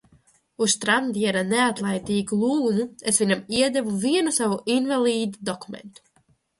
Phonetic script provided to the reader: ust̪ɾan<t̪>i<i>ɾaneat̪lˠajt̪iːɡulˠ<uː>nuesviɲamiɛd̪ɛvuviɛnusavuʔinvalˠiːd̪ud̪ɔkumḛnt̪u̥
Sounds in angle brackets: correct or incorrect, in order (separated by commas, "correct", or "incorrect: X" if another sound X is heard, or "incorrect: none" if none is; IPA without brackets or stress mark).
incorrect: d̪, incorrect: ɛ, correct